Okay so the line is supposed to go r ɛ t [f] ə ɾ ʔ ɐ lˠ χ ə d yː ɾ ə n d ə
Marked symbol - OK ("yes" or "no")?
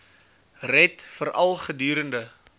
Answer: yes